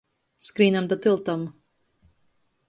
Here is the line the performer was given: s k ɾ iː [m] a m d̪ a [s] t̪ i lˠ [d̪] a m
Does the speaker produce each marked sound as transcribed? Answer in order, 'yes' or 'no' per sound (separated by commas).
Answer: no, no, no